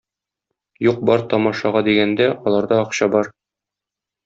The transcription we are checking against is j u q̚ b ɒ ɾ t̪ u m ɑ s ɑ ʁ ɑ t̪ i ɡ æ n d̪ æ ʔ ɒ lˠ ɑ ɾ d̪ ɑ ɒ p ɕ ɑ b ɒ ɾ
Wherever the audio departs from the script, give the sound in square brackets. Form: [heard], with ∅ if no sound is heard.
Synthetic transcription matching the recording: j u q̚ b ɒ ɾ t̪ [ɒ] m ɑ [ʃ] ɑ ʁ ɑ [d̪] i ɡ æ n d̪ æ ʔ ɒ lˠ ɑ ɾ d̪ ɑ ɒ [q] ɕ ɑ b ɒ ɾ